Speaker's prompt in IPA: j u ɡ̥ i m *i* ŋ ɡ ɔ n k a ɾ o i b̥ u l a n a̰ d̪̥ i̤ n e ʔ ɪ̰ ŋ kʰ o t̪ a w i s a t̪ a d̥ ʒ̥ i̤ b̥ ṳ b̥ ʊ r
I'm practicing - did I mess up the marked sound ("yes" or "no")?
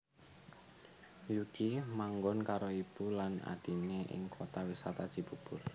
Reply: yes